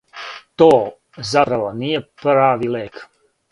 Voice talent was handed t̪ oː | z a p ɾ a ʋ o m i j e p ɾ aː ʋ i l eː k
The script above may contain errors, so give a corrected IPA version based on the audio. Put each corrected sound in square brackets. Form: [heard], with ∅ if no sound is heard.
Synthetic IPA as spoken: t̪ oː | z a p ɾ a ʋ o [n] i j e p ɾ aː ʋ i l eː k